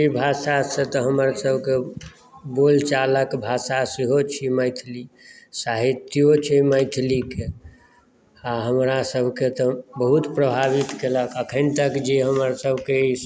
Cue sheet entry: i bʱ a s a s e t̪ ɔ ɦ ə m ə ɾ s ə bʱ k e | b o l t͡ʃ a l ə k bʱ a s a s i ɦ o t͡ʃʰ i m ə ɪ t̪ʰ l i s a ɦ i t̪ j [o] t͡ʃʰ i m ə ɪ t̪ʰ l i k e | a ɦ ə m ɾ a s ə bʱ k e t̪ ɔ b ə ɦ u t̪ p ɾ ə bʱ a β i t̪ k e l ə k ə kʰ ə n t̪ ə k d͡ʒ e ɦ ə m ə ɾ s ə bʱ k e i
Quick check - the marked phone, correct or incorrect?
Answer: correct